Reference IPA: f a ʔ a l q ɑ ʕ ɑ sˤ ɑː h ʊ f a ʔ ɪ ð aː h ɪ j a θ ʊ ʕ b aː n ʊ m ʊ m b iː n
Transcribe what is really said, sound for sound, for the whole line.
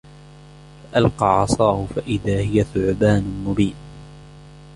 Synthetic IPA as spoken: f a ʔ a l q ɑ ʕ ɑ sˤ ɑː h ʊ f a ʔ ɪ ð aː h ɪ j a θ ʊ ʕ b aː n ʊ m ʊ b iː n